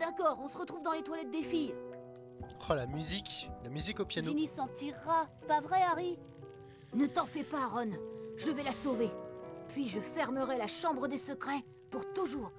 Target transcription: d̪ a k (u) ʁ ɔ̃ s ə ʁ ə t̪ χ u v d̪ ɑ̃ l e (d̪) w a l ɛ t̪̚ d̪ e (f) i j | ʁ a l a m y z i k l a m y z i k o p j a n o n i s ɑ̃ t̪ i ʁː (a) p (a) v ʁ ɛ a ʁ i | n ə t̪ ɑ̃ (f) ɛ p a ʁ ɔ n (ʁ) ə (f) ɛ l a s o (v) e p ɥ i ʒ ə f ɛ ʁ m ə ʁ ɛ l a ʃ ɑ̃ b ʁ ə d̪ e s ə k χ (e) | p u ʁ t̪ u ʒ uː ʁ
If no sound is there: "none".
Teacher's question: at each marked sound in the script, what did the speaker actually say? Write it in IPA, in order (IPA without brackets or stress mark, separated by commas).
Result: ɔ, t̪, f, a, a, f, ʒ, v, v, ɛ